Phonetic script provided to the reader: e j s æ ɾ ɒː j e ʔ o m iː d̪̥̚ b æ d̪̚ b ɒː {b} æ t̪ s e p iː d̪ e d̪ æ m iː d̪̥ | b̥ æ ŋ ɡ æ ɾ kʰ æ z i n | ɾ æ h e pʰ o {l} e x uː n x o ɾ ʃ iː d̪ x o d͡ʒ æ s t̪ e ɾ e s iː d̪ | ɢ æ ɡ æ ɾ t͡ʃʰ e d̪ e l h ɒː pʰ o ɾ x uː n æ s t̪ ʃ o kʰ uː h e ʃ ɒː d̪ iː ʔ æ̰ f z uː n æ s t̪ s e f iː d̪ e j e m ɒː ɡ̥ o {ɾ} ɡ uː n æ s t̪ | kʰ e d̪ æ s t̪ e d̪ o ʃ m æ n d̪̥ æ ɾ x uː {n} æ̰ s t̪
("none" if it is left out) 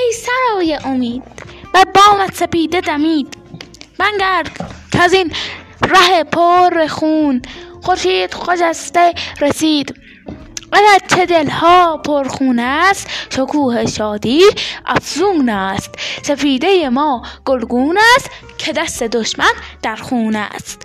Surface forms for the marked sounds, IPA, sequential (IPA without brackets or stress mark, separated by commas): m, ɾ, l, n